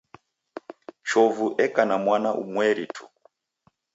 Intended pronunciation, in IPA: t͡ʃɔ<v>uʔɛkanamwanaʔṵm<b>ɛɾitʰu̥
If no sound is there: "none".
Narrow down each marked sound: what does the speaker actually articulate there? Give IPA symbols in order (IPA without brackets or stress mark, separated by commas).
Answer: v, w